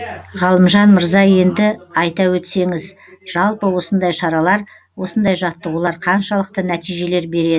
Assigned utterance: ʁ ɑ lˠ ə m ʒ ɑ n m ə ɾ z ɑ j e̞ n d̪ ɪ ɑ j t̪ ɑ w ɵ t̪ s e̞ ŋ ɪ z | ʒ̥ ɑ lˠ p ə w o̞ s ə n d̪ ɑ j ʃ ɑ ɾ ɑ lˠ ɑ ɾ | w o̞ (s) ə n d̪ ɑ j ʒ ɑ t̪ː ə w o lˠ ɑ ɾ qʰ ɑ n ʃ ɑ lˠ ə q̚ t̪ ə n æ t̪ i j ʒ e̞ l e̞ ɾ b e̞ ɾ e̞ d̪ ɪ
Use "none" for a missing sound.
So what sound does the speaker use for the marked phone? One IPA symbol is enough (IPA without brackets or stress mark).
s